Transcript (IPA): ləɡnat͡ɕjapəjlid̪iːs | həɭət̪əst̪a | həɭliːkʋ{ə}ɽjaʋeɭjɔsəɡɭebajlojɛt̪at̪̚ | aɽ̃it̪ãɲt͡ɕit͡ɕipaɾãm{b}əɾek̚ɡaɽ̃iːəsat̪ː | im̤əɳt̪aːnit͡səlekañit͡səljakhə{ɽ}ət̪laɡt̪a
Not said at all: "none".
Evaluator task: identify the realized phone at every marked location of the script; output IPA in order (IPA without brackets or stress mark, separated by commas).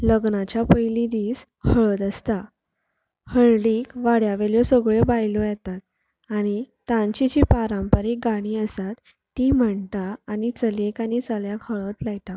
a, p, ɭ